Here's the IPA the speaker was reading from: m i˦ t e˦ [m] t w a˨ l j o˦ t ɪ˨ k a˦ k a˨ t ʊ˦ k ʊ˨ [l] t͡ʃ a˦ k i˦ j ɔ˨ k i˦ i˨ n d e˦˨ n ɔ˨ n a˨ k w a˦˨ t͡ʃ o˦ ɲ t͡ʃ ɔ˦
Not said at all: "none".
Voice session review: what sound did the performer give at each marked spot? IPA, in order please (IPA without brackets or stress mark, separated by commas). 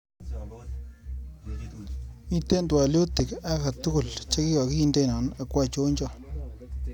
n, l